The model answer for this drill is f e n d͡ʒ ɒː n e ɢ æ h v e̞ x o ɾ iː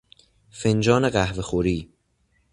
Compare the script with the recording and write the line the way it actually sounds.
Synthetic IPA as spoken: f e n d͡ʒ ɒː n e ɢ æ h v e̞ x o ɾ iː